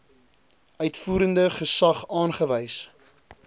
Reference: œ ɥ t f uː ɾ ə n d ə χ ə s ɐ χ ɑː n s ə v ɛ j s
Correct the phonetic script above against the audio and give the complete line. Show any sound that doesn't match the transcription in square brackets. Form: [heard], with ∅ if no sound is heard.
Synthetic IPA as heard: œ ɥ t f uː ɾ ə n d ə χ ə s ɐ χ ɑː n [χ] ə v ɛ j s